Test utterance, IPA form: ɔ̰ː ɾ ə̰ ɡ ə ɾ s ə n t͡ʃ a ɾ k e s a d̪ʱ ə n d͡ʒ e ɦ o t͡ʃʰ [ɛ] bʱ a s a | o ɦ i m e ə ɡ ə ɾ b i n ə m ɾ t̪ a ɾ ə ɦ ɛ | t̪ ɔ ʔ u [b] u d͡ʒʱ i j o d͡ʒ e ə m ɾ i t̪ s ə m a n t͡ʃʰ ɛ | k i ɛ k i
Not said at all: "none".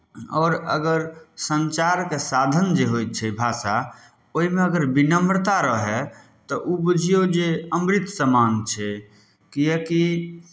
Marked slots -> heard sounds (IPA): ɛ, b

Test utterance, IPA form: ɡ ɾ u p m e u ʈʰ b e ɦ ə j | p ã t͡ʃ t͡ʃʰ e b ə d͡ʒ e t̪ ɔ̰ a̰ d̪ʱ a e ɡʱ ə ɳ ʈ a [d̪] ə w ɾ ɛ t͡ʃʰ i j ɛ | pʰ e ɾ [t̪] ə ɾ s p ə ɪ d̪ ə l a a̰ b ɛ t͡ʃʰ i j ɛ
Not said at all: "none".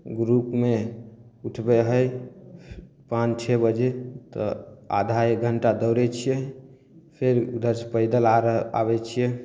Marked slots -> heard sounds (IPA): d̪, d̪

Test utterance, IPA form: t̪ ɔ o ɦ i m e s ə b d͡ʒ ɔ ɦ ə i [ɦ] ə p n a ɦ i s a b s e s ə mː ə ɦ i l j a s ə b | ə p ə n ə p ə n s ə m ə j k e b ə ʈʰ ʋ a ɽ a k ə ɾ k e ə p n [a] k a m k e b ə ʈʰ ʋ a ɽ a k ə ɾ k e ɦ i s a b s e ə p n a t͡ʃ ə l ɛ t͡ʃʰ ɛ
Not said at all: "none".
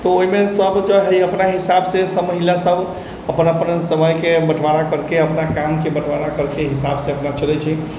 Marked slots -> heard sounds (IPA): none, a

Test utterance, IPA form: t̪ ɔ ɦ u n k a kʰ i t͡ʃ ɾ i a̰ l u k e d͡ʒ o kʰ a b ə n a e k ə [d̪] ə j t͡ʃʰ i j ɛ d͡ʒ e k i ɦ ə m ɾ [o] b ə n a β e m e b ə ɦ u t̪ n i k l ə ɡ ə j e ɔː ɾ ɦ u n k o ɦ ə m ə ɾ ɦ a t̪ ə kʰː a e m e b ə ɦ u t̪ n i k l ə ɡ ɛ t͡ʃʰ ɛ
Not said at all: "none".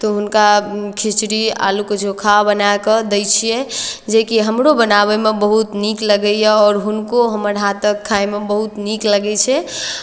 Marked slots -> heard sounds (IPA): d̪, o

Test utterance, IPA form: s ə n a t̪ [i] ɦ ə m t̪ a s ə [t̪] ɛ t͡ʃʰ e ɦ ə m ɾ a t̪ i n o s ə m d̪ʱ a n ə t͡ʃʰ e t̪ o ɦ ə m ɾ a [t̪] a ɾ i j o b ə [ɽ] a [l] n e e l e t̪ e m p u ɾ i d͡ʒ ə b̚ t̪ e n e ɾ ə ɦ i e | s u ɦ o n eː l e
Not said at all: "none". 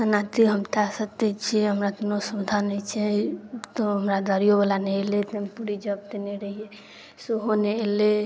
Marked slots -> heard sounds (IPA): i, t̪, d̪, l, none

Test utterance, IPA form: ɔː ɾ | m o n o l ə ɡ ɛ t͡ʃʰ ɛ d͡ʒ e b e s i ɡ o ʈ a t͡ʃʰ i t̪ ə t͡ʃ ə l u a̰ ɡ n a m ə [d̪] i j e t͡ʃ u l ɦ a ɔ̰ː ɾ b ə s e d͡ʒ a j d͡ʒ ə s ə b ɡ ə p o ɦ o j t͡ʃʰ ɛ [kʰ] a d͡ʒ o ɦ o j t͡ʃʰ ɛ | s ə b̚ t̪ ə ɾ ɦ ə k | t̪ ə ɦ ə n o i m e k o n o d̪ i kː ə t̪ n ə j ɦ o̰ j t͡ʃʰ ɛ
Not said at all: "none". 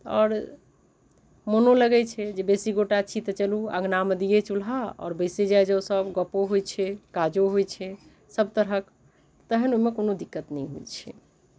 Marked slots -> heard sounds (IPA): d̪, k

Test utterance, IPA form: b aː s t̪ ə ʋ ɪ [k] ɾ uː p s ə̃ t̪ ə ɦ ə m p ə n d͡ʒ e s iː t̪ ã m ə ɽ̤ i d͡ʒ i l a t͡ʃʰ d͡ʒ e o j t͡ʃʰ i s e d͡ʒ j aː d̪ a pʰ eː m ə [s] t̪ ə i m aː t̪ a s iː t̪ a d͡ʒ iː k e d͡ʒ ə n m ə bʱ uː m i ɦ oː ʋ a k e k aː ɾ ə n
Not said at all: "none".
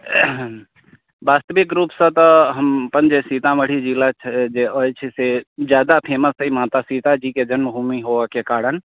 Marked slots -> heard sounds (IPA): k, s

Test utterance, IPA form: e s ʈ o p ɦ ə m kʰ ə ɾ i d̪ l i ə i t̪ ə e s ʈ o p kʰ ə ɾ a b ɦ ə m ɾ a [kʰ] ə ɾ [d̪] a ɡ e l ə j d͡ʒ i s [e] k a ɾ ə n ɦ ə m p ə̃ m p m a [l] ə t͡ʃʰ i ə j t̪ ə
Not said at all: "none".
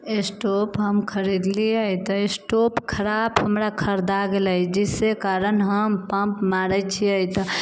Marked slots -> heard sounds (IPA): kʰ, d̪, e, ɾ

